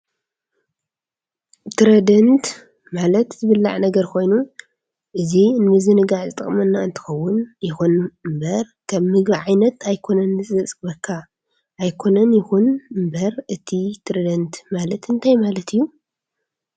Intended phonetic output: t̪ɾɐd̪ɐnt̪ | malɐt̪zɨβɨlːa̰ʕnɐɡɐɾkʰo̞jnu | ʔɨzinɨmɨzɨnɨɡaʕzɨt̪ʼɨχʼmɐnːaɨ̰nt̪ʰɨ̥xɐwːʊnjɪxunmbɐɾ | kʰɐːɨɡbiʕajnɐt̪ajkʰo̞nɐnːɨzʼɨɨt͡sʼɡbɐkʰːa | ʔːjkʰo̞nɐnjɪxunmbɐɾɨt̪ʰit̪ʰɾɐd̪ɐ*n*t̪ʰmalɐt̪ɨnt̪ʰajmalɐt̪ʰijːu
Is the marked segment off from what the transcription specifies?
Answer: no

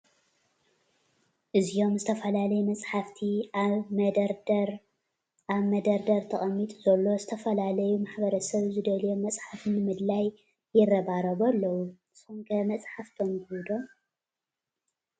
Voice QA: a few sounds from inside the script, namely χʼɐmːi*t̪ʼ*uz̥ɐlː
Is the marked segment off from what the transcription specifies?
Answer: no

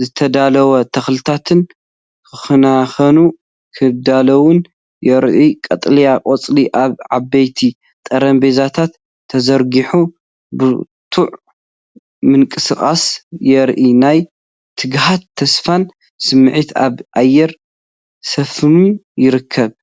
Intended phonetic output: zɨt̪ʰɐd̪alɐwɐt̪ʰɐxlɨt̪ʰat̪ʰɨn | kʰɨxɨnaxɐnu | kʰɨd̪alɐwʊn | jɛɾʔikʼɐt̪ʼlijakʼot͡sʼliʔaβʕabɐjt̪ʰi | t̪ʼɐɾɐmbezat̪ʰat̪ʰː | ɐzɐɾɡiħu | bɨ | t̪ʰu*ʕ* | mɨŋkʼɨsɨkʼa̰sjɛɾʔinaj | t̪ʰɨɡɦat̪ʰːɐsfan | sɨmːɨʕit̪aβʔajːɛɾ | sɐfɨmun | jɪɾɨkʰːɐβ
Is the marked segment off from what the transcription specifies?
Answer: no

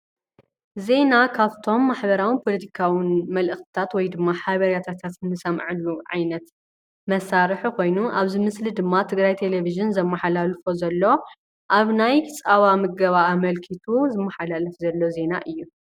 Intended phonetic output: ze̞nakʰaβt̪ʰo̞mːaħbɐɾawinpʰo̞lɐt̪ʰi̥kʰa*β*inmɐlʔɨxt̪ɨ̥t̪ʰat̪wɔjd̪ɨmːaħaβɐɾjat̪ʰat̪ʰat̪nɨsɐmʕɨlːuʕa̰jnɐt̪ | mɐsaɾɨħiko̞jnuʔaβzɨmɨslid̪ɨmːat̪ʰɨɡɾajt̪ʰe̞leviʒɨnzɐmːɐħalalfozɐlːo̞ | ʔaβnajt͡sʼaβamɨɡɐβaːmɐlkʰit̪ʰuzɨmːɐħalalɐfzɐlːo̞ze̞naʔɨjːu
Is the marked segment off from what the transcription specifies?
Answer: yes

